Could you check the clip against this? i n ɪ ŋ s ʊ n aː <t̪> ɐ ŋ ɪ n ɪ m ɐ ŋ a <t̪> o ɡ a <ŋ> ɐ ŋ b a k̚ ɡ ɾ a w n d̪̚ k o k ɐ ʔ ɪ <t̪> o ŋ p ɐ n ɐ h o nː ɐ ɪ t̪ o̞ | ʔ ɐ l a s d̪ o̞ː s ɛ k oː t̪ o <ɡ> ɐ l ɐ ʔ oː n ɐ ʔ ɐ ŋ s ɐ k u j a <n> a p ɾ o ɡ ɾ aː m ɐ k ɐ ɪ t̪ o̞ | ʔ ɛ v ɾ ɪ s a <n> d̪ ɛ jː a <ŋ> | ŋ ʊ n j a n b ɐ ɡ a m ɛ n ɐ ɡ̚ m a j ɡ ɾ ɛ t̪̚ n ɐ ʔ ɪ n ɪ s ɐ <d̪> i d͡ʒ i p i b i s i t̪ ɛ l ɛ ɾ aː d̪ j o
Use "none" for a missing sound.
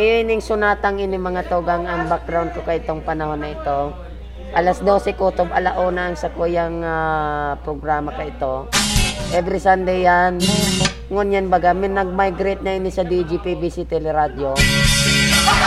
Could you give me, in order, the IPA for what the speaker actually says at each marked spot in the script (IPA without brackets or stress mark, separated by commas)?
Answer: t̪, t̪, ŋ, t̪, b, ŋ, n, n, d̪